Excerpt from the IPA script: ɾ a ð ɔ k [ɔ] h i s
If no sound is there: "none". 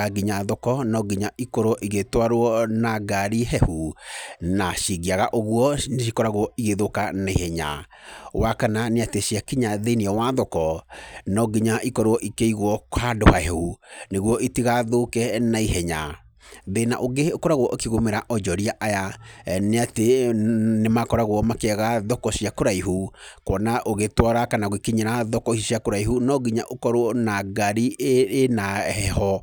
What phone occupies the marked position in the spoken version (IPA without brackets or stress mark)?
ɔ